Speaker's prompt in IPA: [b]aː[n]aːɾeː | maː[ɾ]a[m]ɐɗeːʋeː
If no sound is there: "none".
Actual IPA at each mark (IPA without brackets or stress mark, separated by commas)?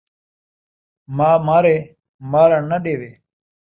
m, m, ɾ, n